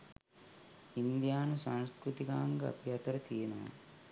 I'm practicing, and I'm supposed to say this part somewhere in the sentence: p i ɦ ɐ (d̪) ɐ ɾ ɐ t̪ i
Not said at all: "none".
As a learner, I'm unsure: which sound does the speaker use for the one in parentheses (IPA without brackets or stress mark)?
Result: t̪